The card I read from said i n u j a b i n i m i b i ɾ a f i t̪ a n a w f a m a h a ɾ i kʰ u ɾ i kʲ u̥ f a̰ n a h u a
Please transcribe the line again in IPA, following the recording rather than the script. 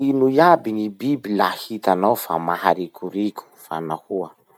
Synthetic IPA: i n u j a b i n i b i b i l a h i t̪ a n a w f a m a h a ɾ i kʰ u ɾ i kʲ u̥ f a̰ n a h u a